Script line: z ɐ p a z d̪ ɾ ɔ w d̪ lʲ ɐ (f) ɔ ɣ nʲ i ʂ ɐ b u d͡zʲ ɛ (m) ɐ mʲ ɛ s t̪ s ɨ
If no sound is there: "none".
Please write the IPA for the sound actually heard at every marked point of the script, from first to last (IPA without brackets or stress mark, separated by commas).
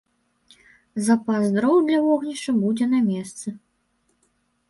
v, n